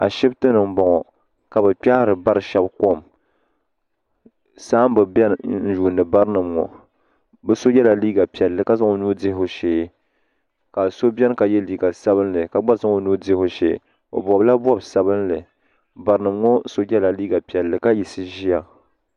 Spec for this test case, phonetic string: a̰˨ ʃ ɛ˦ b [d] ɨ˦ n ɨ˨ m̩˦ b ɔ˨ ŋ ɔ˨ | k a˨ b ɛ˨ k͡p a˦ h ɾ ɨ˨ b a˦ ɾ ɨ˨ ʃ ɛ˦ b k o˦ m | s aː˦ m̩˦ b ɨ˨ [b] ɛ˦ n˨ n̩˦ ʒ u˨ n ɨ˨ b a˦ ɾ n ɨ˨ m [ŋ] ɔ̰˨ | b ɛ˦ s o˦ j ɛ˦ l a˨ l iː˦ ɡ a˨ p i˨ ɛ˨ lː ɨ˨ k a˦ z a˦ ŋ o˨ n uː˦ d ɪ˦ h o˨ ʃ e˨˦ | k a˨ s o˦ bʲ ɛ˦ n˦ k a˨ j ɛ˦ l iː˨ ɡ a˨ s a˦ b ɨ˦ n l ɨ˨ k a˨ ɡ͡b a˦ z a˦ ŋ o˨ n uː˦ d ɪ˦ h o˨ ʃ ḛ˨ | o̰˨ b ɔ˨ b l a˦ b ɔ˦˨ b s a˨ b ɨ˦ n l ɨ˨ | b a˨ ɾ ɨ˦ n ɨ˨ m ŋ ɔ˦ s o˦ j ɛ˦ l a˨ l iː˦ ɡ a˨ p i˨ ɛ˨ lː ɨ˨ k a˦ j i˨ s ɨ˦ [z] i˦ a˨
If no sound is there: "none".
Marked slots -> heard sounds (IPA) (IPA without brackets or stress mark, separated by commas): t, b, ŋ, ʒ